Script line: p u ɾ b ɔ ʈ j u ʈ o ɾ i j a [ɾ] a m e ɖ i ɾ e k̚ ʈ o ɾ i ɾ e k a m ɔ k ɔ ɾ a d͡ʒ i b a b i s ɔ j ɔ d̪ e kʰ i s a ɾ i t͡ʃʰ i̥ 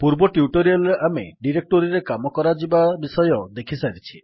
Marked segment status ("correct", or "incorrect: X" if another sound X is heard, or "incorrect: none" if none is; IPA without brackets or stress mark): incorrect: l